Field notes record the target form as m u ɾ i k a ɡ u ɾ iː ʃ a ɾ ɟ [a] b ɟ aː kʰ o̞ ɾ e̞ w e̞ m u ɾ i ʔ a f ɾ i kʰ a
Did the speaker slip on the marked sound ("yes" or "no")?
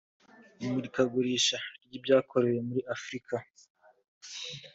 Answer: yes